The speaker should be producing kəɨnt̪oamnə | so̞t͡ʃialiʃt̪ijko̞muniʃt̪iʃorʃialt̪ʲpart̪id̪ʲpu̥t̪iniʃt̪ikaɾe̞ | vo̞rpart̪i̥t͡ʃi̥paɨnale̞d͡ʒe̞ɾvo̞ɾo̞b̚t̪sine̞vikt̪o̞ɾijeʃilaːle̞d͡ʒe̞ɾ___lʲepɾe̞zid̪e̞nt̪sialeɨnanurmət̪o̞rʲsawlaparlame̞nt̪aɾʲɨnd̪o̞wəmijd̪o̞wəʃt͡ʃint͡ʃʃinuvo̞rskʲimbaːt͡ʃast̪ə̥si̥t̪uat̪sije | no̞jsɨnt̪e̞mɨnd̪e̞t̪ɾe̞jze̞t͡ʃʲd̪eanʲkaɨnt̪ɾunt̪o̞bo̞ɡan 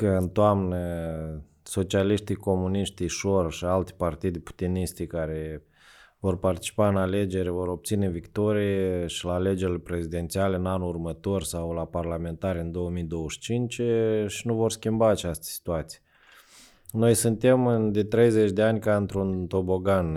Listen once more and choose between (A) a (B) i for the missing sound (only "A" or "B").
B